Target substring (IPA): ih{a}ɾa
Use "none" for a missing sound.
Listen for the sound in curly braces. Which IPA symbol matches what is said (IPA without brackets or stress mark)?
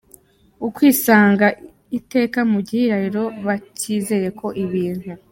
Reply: i